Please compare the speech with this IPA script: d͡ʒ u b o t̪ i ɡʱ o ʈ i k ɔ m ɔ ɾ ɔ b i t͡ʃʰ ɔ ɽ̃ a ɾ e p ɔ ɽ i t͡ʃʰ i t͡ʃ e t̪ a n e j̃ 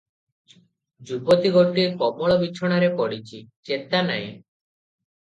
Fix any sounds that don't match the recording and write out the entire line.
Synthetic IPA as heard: d͡ʒ u b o t̪ i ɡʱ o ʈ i k ɔ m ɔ ɭ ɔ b i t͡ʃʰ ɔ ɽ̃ a ɾ e p ɔ ɽ i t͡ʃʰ i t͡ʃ e t̪ a n a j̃